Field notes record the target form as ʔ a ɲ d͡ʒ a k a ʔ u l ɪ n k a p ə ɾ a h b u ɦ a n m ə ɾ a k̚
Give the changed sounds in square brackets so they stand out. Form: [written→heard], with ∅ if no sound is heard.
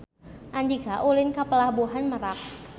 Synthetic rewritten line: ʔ a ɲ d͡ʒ [a→i] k a ʔ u l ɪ n k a p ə [ɾ→l] a h b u ɦ a n m ə ɾ a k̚